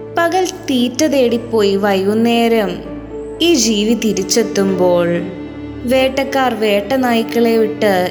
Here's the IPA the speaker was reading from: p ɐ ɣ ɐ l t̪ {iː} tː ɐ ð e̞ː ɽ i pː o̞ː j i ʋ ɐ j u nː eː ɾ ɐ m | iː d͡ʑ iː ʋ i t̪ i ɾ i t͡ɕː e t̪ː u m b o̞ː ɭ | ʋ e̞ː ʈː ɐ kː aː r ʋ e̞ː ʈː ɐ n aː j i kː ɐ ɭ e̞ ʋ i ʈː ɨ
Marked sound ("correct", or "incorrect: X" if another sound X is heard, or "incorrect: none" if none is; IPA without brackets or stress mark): correct